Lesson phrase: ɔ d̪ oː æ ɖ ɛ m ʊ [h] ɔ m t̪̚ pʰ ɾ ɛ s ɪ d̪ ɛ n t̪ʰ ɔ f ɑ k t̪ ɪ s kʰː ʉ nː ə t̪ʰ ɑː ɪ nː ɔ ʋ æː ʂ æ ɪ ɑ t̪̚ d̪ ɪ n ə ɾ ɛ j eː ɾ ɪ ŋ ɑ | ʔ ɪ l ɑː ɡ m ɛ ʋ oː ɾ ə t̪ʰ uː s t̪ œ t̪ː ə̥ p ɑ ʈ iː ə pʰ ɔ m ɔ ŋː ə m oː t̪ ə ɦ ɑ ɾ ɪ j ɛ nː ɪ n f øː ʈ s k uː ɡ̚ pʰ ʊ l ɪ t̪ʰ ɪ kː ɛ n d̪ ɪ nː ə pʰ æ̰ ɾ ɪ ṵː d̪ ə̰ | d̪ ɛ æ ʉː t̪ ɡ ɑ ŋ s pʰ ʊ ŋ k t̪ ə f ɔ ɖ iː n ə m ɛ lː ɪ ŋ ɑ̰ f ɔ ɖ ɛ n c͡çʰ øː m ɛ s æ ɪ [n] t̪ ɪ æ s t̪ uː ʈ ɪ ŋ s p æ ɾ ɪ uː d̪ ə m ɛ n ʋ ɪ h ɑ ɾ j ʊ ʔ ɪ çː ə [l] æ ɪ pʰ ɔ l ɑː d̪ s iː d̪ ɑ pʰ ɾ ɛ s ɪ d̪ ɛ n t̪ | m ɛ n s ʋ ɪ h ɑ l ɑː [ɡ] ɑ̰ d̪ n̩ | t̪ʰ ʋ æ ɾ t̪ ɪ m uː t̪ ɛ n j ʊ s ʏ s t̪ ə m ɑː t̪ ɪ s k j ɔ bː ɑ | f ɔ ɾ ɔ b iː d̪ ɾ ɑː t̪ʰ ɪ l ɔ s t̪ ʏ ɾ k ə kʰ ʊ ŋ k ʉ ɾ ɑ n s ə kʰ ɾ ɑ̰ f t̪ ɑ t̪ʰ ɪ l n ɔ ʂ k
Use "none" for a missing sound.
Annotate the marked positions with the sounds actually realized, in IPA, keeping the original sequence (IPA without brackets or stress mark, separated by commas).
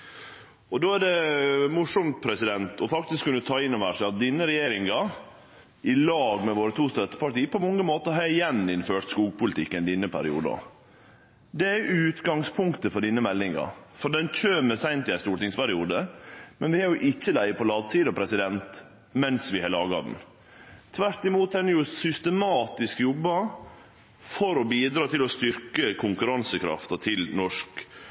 ʂ, n, l, ɡ